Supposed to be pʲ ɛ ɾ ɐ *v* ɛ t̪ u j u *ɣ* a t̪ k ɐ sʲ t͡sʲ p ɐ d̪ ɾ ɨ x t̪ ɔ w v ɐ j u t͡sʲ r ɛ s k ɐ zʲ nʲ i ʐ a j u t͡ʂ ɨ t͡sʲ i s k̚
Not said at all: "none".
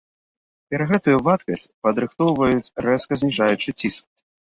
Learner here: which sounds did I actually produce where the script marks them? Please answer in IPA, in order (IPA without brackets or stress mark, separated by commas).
ɣ, v